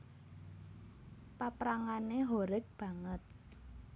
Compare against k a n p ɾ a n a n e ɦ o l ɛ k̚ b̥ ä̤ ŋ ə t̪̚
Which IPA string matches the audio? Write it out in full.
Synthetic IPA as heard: p a p ɾ a ŋ a n e ɦ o ɾ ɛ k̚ b̥ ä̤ ŋ ə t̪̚